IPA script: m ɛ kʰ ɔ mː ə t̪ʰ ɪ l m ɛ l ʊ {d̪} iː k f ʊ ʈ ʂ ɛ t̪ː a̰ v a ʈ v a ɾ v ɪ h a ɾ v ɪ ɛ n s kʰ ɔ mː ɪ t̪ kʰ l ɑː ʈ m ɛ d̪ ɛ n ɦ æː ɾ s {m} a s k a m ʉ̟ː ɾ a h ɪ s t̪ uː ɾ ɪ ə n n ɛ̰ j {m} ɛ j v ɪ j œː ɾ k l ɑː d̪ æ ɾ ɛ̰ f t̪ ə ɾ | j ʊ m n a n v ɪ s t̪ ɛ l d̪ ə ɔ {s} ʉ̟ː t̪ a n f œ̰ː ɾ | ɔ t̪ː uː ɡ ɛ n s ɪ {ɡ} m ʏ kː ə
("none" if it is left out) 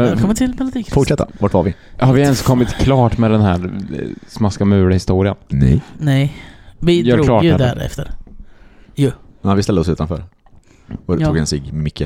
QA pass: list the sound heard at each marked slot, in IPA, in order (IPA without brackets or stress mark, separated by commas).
d̪, m, n, s, ɡ